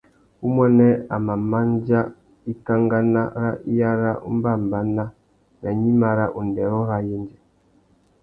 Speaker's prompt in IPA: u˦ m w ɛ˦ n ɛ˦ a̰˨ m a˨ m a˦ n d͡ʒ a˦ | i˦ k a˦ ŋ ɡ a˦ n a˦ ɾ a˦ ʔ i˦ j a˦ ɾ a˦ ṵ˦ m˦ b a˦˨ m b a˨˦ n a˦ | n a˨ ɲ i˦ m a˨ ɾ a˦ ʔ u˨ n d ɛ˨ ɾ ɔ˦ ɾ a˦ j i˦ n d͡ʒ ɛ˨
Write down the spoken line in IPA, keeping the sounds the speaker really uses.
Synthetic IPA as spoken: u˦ m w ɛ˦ n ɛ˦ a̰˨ m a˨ m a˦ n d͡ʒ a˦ | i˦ k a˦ ŋ ɡ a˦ n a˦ ɾ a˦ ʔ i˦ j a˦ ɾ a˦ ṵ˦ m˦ b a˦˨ m b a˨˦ n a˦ | n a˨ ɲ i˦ m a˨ ɾ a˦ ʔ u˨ n d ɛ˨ ɾ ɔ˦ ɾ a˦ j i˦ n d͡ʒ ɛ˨